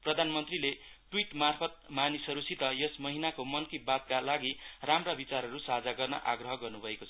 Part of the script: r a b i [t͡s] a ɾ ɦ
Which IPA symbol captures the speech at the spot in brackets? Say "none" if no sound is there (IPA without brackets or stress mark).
t͡s